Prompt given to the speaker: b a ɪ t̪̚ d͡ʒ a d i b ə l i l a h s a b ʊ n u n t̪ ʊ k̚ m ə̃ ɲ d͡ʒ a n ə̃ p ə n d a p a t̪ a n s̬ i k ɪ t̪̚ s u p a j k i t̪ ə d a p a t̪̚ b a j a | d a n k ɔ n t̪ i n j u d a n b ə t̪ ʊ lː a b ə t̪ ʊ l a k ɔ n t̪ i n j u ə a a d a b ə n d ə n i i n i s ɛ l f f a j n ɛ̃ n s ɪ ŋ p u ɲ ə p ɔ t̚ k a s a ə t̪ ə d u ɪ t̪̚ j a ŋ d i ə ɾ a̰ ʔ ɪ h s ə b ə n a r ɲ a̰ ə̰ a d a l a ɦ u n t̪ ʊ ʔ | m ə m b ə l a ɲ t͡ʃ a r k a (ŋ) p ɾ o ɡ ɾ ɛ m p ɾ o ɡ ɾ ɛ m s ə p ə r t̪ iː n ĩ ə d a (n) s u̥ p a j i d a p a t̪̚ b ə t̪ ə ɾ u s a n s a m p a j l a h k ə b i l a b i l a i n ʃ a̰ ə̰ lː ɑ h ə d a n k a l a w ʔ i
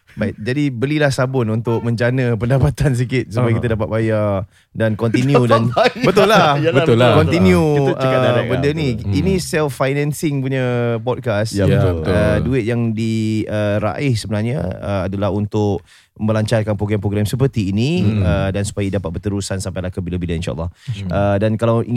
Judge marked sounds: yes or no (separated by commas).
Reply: no, yes